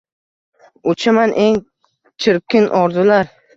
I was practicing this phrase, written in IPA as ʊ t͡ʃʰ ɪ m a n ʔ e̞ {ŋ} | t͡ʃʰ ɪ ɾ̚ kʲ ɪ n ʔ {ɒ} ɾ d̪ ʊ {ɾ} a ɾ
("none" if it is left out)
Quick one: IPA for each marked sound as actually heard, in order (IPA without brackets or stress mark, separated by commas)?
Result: ŋ, ɒ, l